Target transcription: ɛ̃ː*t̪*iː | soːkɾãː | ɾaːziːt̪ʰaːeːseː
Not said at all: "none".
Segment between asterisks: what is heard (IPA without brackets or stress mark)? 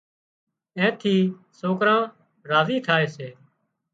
t̪ʰ